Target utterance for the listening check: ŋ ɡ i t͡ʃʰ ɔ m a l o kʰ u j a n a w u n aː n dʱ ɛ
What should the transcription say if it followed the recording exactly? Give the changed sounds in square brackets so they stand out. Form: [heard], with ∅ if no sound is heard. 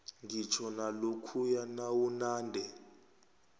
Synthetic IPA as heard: ŋ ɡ i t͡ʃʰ ɔ [n] a l o kʰ u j a n a w u n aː n dʱ ɛ